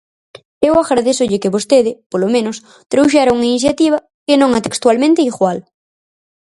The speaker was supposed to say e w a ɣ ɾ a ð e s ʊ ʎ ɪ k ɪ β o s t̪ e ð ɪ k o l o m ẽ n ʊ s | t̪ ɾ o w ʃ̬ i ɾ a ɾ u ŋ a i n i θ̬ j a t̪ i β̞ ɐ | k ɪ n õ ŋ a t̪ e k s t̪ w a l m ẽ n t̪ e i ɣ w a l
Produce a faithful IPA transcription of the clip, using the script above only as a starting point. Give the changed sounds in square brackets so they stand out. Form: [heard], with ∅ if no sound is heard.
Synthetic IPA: e w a ɣ ɾ a ð e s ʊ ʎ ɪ k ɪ β o s t̪ e ð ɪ [p] o l o m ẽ n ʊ s | t̪ ɾ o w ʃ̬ [a] ɾ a [∅] u ŋ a i n i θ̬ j a t̪ i β̞ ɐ | k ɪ n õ ŋ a t̪ e k s t̪ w a l m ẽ n t̪ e i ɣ w a l